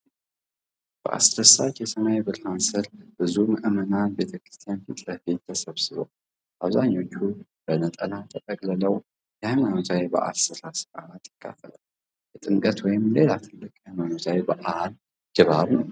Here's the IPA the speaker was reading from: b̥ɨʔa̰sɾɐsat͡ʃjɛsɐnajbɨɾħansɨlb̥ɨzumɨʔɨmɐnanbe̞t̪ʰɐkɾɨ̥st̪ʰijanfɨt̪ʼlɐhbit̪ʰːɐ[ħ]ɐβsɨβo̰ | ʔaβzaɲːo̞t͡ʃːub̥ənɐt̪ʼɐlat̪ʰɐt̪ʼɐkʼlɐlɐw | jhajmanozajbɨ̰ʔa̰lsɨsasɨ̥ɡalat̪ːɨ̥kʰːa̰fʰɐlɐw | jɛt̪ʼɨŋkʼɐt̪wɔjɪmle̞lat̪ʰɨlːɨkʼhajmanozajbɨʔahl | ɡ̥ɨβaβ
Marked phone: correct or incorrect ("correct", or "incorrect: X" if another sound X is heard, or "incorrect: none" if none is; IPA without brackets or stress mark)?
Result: incorrect: s